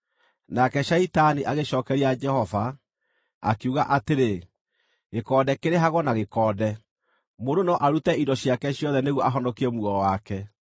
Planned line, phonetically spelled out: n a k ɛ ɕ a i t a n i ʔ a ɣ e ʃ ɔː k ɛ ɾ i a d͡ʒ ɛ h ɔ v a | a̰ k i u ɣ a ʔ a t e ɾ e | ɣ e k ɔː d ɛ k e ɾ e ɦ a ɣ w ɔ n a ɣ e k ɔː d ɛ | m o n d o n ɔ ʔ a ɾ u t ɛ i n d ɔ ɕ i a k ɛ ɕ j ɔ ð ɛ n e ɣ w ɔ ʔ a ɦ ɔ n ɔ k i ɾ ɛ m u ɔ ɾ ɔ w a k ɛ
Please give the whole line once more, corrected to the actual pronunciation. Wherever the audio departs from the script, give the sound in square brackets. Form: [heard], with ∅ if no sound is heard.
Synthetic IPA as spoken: n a k ɛ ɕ a i t a n i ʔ a ɣ e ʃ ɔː k ɛ ɾ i a d͡ʒ ɛ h ɔ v a | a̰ k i u ɣ a ʔ a t e ɾ e | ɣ e k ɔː d ɛ k e ɾ e ɦ a ɣ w ɔ n a ɣ e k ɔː d ɛ | m o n d o n ɔ ʔ a ɾ u t ɛ i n d ɔ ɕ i a k ɛ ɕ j ɔ ð ɛ n e ɣ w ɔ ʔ a ɦ ɔ n ɔ k i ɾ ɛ m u ɔ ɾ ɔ w a k ɛ

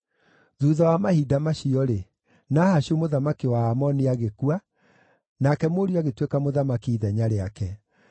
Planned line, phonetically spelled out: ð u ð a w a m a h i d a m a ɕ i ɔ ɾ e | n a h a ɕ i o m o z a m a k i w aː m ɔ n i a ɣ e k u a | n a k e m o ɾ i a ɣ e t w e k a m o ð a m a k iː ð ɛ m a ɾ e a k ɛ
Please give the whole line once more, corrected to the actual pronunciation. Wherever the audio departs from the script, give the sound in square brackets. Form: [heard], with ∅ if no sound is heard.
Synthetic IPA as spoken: ð u ð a w a m a h i d a m a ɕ i ɔ ɾ e | n a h a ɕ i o m o [ð] a m a k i w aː m ɔ n i a ɣ e k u a | n a k [ɛ] m o ɾ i a ɣ e t w e k a m o ð a m a k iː ð ɛ [ɲ] a ɾ e a k ɛ

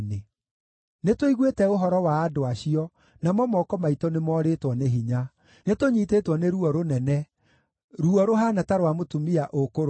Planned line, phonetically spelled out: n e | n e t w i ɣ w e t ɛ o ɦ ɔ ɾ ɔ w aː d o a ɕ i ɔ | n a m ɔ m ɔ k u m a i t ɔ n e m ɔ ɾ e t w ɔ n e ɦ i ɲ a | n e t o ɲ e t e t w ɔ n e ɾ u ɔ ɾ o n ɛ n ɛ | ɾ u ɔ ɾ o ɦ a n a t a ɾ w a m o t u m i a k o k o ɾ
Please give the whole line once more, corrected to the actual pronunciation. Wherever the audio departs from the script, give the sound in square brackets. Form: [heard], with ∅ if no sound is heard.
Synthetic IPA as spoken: n e | n e t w i ɣ w e t ɛ o ɦ ɔ ɾ ɔ w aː d o a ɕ i ɔ | n a m ɔ m ɔ k [ɔ] m a i t ɔ n e m ɔ ɾ e t w ɔ n e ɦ i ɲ a | n e t o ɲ [i] t e t w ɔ n e ɾ u ɔ ɾ o n ɛ n ɛ | ɾ u ɔ ɾ o ɦ a n a t a ɾ w a m o t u m i a [ʔ] o k o ɾ

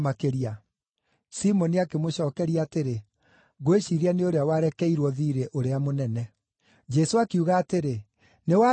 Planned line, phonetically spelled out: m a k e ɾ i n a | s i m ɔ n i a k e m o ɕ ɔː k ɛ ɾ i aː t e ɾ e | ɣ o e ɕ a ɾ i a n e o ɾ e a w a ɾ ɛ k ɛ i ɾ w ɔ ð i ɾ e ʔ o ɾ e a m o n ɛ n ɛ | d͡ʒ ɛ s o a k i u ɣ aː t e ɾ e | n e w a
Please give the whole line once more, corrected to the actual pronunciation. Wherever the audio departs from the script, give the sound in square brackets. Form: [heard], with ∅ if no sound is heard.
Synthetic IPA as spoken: m a k e ɾ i [∅] a | s i m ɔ n i a k e m o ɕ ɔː k ɛ ɾ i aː t e ɾ e | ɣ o e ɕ [i] ɾ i a n e o ɾ e a w a ɾ ɛ k ɛ i ɾ w ɔ ð i ɾ e ʔ o ɾ e a m o n ɛ n ɛ | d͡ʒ ɛ s o a k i u ɣ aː t e ɾ e | n e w a

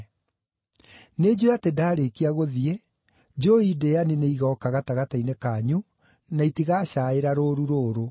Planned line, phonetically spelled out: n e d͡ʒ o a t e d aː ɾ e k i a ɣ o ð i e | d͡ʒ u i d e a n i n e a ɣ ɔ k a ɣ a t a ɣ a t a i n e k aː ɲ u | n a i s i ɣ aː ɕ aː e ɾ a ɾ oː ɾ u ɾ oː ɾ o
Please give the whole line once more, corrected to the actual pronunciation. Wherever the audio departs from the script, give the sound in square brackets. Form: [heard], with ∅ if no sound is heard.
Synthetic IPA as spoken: n e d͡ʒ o a t e d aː ɾ e k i a ɣ o ð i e | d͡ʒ [o] i d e a n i n e [i] ɣ ɔ k a ɣ a t a ɣ a t a i n e k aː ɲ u | n a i [t] i ɣ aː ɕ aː e ɾ a ɾ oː ɾ u ɾ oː ɾ o

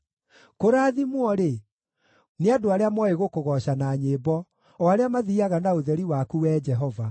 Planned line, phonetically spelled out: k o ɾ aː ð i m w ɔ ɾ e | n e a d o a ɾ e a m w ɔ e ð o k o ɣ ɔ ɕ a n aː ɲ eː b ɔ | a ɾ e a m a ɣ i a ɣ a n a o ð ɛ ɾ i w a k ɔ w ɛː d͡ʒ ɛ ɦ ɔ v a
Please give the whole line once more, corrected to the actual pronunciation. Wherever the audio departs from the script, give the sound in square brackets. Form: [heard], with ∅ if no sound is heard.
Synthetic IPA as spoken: k o ɾ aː ð i m w ɔ ɾ e | n e a d o a ɾ e a m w ɔ e [ɣ] o k o ɣ ɔ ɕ a n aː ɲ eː b ɔ | a ɾ e a m a [ð] i a ɣ a n a o ð ɛ ɾ i w a k [u] w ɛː d͡ʒ ɛ ɦ ɔ v a

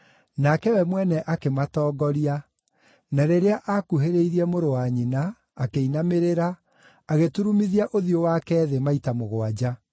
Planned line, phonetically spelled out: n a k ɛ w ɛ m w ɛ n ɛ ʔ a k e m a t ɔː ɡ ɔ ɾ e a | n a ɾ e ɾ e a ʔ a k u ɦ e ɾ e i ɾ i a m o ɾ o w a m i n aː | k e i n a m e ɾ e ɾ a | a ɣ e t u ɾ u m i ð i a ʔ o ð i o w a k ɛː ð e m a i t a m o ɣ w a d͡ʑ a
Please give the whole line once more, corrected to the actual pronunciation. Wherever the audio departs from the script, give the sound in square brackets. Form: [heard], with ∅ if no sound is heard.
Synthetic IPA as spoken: n a k ɛ w ɛ m w ɛ n ɛ ʔ a k e m a t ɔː ɡ ɔ ɾ [i] a | n a ɾ e ɾ e a ʔ a k u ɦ e ɾ e i ɾ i [ɛ] m o ɾ o w a [ɲ] i n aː | k e i n a m e ɾ e ɾ a | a ɣ e t u ɾ u m i ð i a ʔ o ð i o w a k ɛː ð e m a i t a m o ɣ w a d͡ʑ a

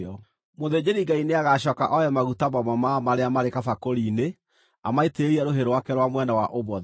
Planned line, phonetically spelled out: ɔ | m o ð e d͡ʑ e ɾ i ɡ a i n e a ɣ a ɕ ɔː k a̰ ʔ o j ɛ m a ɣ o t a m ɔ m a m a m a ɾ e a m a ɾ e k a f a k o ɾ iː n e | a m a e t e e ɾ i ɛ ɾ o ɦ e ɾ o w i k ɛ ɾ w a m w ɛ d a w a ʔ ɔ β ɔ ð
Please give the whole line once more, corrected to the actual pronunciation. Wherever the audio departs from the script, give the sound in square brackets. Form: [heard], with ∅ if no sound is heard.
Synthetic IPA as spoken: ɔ | m o ð e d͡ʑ e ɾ i ɡ a i n e a ɣ a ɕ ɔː k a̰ ʔ [ɔ] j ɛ m a ɣ [u] t a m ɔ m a m a m a ɾ e a m a ɾ e k a f a k o ɾ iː n e | a m a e t e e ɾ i ɛ ɾ o ɦ e ɾ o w [a] k ɛ ɾ w a m w ɛ [n] a w a ʔ [o] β ɔ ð

